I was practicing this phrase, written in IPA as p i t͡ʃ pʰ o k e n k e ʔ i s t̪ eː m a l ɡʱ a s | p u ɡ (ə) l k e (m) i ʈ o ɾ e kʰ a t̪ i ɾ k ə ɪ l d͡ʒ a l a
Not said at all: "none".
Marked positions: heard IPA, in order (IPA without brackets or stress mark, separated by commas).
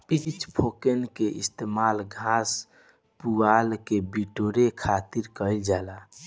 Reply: a, b